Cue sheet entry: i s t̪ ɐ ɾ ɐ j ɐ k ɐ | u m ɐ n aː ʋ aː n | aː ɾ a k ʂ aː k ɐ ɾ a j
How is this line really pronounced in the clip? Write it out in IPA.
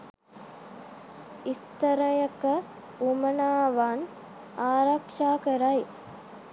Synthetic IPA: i s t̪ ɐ ɾ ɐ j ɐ k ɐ | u m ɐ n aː ʋ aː n | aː ɾ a k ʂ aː k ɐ ɾ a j